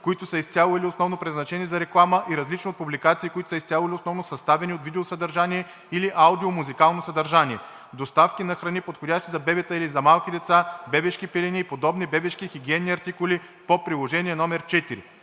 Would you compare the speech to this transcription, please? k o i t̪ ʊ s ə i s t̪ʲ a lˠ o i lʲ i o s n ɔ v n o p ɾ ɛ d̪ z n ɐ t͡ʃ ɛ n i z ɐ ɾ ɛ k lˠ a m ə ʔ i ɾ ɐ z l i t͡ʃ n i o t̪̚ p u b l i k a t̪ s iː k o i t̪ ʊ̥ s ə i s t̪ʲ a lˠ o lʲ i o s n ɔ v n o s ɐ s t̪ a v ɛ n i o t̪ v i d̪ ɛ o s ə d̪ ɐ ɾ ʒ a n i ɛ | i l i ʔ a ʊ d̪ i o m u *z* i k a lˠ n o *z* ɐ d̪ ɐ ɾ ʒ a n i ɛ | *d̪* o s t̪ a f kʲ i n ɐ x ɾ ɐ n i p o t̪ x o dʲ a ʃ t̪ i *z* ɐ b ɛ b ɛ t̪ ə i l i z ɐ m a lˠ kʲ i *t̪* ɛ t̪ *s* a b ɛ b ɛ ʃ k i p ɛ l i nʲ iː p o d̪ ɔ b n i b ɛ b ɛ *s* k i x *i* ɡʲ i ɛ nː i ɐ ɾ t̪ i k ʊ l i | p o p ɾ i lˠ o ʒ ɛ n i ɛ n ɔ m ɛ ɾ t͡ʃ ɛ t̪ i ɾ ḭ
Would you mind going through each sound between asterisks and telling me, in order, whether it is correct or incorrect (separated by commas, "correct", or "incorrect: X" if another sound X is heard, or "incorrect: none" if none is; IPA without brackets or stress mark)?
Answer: correct, incorrect: s, correct, correct, incorrect: d̪, correct, incorrect: ʃ, correct